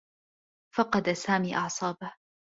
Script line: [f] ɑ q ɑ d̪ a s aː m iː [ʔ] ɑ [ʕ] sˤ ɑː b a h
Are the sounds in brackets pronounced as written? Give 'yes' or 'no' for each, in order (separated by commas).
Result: yes, yes, yes